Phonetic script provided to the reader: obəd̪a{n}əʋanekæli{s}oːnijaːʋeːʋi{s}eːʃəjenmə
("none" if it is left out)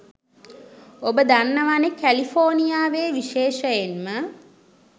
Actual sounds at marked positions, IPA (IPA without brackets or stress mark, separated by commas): nː, f, ʃ